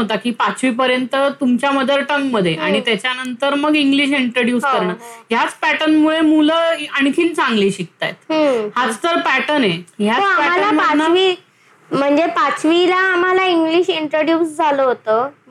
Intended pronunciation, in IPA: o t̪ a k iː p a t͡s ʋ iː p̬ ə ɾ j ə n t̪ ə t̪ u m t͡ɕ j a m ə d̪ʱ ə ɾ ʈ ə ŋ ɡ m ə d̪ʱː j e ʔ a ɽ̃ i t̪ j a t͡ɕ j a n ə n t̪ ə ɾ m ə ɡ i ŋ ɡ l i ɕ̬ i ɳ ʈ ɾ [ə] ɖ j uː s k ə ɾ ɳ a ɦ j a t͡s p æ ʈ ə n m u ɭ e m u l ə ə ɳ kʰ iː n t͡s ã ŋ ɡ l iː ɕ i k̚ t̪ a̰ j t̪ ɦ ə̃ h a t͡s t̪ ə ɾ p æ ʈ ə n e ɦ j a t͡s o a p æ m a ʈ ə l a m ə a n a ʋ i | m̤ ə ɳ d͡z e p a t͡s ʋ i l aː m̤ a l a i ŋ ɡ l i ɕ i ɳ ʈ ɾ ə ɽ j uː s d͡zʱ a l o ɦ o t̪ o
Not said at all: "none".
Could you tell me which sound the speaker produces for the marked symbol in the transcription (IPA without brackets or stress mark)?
ə